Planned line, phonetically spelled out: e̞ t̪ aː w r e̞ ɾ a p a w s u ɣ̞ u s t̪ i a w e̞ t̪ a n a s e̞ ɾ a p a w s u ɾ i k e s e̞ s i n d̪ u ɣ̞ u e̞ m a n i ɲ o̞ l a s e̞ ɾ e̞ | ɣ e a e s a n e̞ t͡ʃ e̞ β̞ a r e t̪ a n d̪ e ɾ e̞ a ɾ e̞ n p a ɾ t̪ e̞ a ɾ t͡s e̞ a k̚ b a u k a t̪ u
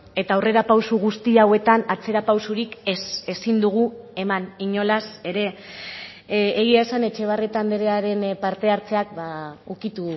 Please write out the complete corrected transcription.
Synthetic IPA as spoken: e̞ t̪ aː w r e̞ ɾ a p a w s u ɣ̞ u s t̪ i a w e̞ t̪ a n a t͡s e̞ ɾ a p a w s u ɾ i k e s e̞ s i n d̪ u ɣ̞ u e̞ m a n i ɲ o̞ l a s e̞ ɾ e̞ | ɣ i a e s a n e̞ t͡ʃ e̞ β̞ a r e t̪ a n d̪ e ɾ e̞ a ɾ e̞ n p a ɾ t̪ e̞ a ɾ t͡s e̞ a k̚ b a u k i t̪ u

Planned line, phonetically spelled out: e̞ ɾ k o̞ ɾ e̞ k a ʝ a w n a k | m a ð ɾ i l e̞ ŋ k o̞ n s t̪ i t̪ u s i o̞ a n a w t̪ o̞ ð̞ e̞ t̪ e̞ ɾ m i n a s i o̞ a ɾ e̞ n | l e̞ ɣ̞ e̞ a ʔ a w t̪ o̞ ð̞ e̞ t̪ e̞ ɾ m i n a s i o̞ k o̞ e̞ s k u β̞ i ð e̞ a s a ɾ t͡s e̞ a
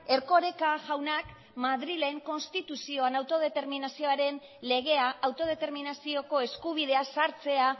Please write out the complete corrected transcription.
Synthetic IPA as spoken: e̞ ɾ k o̞ ɾ e̞ k a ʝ a w n a k | m a ð ɾ i l e̞ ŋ k o̞ n s t̪ i t̪ u s i o̞ a n a w t̪ o̞ ð̞ e̞ t̪ e̞ ɾ m i n a s i o̞ a ɾ e̞ n | l e̞ ɣ̞ e̞ a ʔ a w t̪ o̞ ð̞ e̞ t̪ e̞ ɾ m i n a s i o̞ k o̞ e̞ s k u β̞ i ð e̞ a s a ɾ t͡s e̞ a

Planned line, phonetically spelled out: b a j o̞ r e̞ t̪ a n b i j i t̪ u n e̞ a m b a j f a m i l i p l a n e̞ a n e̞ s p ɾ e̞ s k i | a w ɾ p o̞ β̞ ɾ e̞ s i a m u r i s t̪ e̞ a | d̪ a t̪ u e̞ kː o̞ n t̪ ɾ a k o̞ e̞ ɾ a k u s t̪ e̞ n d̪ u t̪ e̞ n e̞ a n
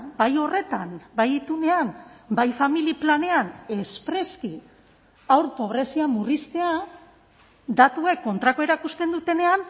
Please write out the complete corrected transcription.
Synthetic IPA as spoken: b a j o̞ r e̞ t̪ a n b a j i t̪ u n e̞ a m b a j f a m i l i p l a n e̞ a n e̞ s p ɾ e̞ s k i | a w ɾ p o̞ β̞ ɾ e̞ s i a m u r i s t̪ e̞ a | d̪ a t̪ u e̞ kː o̞ n t̪ ɾ a k o̞ e̞ ɾ a k u s t̪ e̞ n d̪ u t̪ e̞ n e̞ a n

